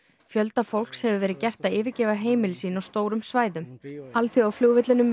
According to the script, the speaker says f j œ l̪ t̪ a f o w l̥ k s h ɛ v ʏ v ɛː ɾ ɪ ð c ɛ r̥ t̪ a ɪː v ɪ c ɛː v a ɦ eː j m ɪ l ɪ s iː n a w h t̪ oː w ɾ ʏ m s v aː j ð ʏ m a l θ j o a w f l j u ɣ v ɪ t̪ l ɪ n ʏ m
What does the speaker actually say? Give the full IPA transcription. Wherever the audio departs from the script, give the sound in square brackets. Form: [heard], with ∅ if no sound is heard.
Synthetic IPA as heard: f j œ l̪ t̪ a f o w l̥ k s h ɛ v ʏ v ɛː ɾ ɪ ð c ɛ r̥ t̪ a ɪː v ɪ c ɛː v a ɦ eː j m ɪ l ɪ s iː n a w [s] t̪ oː w ɾ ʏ m s v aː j ð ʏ m a l θ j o a w f l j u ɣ v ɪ t̪ l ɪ n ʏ m